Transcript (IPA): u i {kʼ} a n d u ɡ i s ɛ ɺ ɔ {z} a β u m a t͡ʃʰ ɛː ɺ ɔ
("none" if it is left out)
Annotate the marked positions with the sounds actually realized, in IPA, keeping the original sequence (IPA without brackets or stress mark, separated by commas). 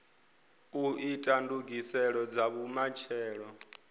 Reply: tʼ, d͡z